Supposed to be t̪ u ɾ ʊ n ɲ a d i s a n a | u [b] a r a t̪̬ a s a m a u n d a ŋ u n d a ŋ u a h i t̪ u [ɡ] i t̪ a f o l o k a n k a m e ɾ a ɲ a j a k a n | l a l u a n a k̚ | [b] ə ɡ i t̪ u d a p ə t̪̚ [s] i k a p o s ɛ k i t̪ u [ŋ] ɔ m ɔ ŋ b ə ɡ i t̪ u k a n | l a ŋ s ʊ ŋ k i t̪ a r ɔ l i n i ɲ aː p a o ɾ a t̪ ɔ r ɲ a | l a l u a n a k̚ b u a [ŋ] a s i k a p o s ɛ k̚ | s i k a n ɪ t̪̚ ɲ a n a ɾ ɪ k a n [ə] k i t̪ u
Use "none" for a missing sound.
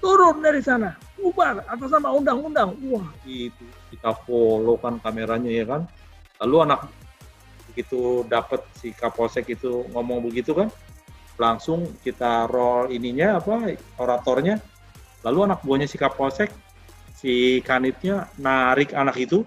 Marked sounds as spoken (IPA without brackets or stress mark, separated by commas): b, k, b, s, ŋ, ɲ, a